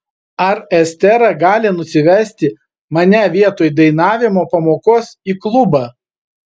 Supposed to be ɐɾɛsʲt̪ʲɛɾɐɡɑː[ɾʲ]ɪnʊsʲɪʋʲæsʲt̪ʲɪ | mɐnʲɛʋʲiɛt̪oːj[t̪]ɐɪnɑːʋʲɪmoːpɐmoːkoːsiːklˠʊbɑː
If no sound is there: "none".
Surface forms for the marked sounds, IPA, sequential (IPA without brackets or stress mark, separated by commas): lʲ, d̪